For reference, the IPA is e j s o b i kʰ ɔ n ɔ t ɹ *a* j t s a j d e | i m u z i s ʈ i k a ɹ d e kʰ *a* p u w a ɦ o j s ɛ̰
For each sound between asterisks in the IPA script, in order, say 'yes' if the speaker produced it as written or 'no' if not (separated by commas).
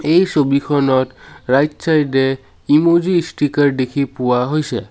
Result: yes, no